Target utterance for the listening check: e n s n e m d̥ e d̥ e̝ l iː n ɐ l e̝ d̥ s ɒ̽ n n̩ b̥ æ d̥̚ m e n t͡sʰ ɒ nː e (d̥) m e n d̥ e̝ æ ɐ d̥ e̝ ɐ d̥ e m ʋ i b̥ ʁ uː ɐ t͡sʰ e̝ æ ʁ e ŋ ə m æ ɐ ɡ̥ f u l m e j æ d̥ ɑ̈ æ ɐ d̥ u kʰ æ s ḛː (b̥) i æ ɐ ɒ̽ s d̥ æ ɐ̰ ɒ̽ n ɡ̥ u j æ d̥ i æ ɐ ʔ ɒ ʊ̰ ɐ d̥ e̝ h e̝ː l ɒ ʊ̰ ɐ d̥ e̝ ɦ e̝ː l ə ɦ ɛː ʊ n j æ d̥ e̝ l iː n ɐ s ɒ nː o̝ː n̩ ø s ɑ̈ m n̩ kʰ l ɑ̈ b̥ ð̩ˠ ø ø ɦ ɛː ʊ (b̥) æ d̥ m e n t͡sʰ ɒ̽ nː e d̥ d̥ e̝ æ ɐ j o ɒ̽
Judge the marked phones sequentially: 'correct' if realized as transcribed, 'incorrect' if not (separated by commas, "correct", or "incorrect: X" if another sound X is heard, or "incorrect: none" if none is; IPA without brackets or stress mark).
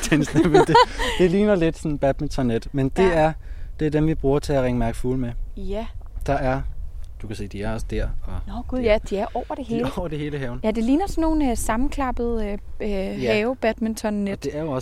correct, incorrect: d̥, correct